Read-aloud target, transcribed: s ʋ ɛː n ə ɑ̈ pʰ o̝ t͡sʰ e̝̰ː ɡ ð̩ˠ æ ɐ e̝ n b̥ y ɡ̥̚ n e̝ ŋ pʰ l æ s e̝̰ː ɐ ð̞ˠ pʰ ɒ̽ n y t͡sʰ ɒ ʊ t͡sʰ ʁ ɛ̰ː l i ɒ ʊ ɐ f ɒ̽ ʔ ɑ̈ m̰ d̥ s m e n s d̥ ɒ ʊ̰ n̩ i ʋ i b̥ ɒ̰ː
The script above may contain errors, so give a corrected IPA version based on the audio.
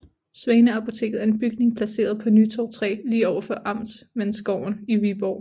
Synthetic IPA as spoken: s ʋ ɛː n ə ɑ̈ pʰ o̝ t͡sʰ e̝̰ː ɡ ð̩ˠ æ ɐ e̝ n b̥ y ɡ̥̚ n e̝ ŋ pʰ l æ s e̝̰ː ɐ ð̞ˠ pʰ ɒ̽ n y t͡sʰ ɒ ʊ t͡sʰ ʁ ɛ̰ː l iː ɒ ʊ ɐ f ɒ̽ ʔ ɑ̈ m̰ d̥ s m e n s ɡ̥ ɒ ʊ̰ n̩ i ʋ i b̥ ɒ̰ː